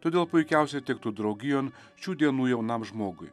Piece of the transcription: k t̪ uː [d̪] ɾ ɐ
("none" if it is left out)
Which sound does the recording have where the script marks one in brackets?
d̪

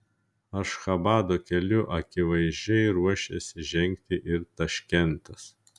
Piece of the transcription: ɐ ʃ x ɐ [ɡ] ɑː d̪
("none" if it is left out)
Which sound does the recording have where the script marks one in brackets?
b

